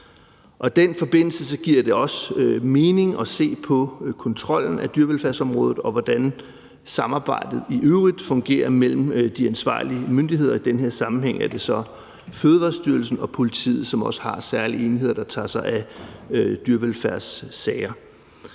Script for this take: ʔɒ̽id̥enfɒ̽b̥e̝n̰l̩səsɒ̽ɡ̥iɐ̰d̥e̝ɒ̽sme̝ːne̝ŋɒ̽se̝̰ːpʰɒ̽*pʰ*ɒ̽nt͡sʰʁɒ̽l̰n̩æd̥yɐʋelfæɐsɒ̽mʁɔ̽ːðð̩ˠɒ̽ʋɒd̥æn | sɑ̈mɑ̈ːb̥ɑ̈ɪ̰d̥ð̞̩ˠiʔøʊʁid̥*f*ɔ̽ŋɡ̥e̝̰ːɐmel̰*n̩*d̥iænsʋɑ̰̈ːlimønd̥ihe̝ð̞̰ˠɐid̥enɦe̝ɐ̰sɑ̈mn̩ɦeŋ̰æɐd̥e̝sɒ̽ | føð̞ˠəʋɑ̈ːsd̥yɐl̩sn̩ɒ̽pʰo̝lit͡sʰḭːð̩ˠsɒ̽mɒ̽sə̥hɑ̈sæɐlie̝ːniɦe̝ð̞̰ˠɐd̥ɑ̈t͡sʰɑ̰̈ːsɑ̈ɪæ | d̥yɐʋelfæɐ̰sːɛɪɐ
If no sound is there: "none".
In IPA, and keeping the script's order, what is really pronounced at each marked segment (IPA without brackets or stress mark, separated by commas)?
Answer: kʰ, f, m̩